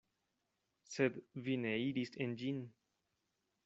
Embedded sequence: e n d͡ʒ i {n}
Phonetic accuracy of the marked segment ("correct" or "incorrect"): correct